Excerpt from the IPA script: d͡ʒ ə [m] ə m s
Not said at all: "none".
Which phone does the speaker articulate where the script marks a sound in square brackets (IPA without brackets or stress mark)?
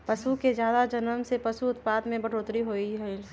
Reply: n